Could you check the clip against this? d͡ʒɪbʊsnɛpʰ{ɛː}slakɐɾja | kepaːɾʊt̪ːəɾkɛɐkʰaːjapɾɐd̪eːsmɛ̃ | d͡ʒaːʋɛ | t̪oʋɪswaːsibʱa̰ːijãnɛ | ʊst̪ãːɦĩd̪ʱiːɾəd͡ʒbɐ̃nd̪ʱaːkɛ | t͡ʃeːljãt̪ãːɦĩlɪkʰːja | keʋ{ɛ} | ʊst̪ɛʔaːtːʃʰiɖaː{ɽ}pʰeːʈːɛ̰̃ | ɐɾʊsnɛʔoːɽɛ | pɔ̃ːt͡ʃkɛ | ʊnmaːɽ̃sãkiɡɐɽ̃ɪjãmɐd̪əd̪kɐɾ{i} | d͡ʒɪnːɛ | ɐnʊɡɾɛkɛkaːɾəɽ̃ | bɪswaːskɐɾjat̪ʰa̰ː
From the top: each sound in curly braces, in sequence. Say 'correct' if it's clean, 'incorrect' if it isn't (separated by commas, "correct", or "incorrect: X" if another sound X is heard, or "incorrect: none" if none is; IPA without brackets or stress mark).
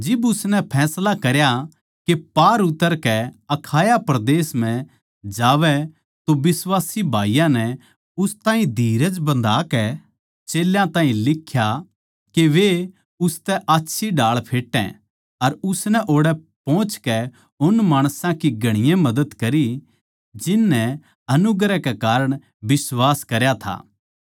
correct, incorrect: e, incorrect: ɭ, correct